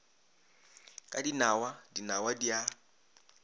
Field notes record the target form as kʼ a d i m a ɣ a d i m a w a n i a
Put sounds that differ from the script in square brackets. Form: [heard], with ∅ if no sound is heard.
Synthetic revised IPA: kʼ a d i [n] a [w] a d i [n] a w a [d] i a